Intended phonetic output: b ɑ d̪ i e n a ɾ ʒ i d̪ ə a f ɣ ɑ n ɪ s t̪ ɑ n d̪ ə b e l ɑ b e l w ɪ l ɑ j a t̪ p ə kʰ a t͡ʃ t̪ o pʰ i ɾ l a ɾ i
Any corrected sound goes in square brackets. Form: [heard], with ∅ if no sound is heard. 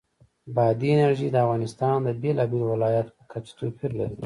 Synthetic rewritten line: b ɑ d̪ i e n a ɾ ʒ i d̪ ə a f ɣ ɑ n ɪ s t̪ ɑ n d̪ ə b e l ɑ b e l w ɪ l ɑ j a t̪ p ə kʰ a t͡ʃ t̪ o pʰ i ɾ l a ɾ i